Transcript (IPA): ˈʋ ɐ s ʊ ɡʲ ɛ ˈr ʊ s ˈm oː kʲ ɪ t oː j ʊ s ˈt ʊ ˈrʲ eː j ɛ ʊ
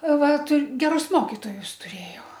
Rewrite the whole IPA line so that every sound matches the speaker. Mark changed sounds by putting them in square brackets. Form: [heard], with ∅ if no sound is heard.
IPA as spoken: ˈʋ ɐ [t] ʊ ɡʲ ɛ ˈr ʊ s ˈm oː kʲ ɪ t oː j ʊ s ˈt ʊ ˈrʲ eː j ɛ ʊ